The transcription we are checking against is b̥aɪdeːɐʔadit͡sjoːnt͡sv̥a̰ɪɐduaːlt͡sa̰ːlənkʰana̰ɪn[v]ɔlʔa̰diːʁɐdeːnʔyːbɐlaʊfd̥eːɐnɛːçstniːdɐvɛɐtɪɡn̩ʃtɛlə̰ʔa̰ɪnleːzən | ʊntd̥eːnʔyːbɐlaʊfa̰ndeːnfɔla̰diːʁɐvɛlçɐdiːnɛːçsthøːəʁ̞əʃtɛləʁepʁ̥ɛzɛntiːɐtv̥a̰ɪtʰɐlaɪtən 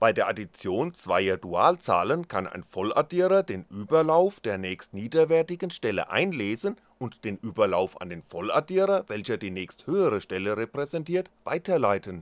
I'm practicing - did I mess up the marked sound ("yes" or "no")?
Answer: yes